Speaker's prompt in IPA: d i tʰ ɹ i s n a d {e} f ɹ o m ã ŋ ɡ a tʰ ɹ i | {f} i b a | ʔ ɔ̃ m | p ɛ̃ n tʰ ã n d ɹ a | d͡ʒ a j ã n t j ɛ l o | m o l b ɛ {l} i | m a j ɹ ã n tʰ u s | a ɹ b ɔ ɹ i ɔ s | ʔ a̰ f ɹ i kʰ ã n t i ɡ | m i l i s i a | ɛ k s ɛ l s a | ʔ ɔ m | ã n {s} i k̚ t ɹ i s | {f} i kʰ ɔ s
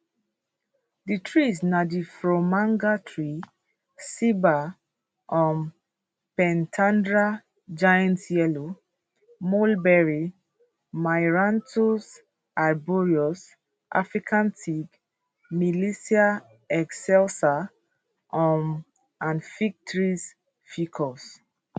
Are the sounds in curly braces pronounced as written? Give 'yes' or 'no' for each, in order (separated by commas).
no, no, no, no, yes